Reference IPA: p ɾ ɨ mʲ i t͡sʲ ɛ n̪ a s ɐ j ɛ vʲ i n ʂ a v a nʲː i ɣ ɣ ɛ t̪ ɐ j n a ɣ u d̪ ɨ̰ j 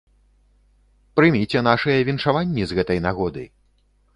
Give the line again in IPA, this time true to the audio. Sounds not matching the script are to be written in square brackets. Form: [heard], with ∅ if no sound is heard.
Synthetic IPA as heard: p ɾ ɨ mʲ i t͡sʲ ɛ n̪ a [ʂ] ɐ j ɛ vʲ i n ʂ a v a nʲː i [z] ɣ ɛ t̪ ɐ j n a ɣ [ɔ] d̪ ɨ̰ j

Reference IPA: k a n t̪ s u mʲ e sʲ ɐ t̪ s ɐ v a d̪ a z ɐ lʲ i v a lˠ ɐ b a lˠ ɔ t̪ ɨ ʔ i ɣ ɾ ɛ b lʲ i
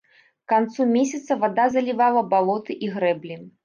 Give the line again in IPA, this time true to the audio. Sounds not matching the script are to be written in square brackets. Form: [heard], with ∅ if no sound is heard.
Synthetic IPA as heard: k a n t̪ s u mʲ e sʲ ɐ t̪ s ɐ v a d̪ a z ɐ lʲ i v a lˠ ɐ b a lˠ ɔ t̪ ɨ ʔ i ɣ ɾ ɛ b lʲ i

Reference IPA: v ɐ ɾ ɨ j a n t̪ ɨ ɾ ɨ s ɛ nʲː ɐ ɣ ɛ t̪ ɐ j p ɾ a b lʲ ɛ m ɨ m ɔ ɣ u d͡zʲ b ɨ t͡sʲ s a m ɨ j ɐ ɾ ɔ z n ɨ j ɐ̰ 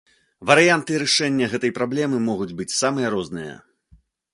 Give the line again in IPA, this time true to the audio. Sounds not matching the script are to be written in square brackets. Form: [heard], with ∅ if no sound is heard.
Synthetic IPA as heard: v ɐ ɾ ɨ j a n t̪ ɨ ɾ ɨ [ʂ] ɛ nʲː ɐ ɣ ɛ t̪ ɐ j p ɾ a b lʲ ɛ m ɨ m ɔ ɣ u d͡zʲ b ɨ t͡sʲ s a m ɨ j ɐ ɾ ɔ z n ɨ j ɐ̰

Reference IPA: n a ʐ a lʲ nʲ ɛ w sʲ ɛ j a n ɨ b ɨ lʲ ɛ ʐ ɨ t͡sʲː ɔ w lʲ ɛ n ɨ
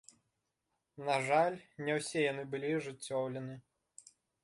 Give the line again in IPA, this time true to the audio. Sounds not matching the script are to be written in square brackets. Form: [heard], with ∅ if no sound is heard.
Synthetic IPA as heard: n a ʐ a lʲ nʲ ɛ w sʲ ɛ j a n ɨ b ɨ lʲ [i] ʐ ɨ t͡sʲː ɔ w lʲ ɛ n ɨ

